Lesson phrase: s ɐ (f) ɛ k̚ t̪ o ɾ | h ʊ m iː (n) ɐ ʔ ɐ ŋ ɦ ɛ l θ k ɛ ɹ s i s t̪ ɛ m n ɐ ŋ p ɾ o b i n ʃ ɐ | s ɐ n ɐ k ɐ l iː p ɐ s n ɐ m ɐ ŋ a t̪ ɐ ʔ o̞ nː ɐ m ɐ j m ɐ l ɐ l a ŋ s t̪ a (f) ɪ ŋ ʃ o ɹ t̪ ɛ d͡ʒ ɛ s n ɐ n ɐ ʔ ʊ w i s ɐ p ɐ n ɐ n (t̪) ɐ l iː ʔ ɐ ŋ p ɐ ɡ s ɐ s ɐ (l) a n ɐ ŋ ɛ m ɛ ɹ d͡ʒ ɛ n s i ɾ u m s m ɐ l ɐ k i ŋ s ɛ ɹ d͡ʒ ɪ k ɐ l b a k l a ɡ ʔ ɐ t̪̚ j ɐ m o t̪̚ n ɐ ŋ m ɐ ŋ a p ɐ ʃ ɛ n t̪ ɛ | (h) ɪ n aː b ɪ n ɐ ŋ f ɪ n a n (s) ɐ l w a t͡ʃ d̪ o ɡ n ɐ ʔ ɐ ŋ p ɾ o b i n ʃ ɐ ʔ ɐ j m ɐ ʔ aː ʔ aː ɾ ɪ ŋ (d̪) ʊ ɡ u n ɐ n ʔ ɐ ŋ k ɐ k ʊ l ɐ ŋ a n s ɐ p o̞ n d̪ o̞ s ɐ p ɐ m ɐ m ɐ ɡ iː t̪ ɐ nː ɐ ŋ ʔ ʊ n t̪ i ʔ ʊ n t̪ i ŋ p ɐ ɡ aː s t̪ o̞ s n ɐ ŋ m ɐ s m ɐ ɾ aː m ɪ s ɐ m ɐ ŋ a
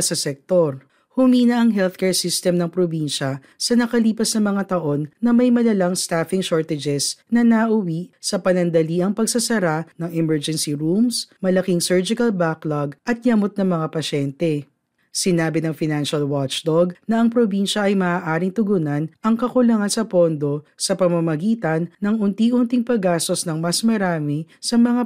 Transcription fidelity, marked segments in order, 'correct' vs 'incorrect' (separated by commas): incorrect, correct, correct, incorrect, incorrect, incorrect, incorrect, incorrect